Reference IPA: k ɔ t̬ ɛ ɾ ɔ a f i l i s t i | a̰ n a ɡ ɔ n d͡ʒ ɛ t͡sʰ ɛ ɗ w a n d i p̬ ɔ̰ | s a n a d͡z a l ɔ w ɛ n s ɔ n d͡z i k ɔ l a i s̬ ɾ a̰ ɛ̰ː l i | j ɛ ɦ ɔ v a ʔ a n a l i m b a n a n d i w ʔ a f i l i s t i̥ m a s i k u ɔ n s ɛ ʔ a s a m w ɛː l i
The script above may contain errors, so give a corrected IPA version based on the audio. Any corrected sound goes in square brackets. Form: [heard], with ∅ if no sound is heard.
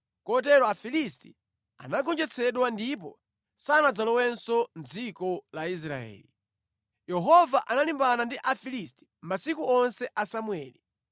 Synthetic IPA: k ɔ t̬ ɛ ɾ ɔ a f i l i s t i | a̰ n a ɡ ɔ n d͡ʒ ɛ t͡sʰ ɛ ɗ w a n d i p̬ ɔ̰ | s a n a d͡z a l ɔ w ɛ n s ɔ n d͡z i k ɔ l a i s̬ ɾ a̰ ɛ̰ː l i | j ɛ ɦ ɔ v a ʔ a n a l i m b a n a n d i [∅] ʔ a f i l i s t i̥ m a s i k u ɔ n s ɛ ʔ a s a m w ɛː l i